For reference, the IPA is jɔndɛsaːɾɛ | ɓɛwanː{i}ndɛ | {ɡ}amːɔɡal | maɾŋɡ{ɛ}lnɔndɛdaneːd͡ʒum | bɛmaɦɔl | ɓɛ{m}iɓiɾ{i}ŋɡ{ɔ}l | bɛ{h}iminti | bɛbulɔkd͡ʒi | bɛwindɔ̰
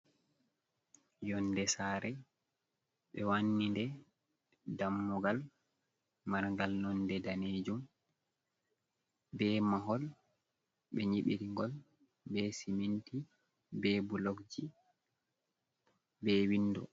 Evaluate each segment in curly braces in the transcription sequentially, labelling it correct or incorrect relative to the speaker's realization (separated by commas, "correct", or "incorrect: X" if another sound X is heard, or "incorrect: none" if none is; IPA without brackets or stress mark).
correct, incorrect: d, incorrect: a, incorrect: ɲ, correct, correct, incorrect: s